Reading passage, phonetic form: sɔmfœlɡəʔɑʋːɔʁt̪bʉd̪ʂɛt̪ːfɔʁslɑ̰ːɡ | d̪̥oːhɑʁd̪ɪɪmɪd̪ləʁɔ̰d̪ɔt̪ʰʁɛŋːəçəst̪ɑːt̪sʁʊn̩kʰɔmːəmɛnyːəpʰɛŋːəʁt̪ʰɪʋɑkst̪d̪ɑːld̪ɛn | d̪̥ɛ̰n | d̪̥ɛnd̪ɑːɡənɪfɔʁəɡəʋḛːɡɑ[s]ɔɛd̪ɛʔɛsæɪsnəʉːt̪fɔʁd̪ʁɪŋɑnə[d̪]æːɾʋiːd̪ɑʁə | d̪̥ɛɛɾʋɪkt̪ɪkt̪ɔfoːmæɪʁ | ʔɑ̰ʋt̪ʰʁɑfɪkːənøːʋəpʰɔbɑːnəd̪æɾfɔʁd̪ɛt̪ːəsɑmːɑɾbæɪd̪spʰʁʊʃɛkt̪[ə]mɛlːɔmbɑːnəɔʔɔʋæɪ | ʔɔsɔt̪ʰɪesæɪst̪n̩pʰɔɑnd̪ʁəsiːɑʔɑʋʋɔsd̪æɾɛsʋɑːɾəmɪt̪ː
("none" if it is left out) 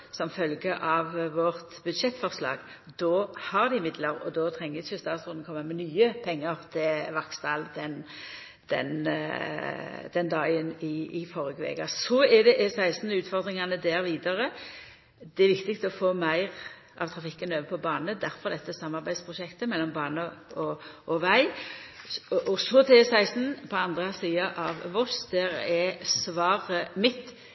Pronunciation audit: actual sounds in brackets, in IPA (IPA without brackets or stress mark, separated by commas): s, d̪, ə